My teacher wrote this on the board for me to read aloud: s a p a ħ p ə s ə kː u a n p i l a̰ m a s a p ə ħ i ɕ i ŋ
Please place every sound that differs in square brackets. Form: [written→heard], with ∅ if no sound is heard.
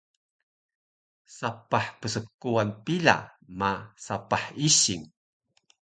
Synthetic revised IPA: s a p a ħ p ə s ə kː u a n p i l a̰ m a s a p [ə→a] ħ i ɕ i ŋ